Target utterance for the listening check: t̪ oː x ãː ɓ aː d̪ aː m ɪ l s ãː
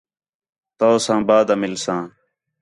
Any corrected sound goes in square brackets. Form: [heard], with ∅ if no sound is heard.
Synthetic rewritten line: t̪ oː [s] ãː [b] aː d̪ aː m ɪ l s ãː